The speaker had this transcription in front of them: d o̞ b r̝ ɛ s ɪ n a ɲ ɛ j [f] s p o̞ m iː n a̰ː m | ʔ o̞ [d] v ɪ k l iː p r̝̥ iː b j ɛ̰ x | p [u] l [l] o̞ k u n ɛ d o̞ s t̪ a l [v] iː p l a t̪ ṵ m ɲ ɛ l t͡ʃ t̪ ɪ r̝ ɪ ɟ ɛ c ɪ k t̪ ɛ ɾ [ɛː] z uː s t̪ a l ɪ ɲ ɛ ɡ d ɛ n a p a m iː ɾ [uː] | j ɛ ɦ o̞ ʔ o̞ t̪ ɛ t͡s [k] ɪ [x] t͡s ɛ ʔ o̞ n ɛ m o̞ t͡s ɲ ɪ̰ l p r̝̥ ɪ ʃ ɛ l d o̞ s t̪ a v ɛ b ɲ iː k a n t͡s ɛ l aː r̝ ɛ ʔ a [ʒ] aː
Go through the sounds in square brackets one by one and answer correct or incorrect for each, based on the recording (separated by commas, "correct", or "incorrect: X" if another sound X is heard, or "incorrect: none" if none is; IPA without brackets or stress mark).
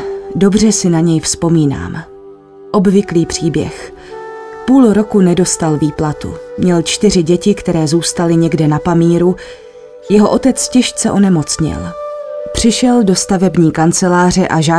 correct, incorrect: b, incorrect: uː, incorrect: ɾ, correct, correct, incorrect: u, incorrect: c, incorrect: ʃ, correct